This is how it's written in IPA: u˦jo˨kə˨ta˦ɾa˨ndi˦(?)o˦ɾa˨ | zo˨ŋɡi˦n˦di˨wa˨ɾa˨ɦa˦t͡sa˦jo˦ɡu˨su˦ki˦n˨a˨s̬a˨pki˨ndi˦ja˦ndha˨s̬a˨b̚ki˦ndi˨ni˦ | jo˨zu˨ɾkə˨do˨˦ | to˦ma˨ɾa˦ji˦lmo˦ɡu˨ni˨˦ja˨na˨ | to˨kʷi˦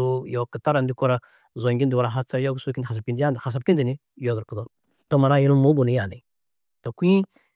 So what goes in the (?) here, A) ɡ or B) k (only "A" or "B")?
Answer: B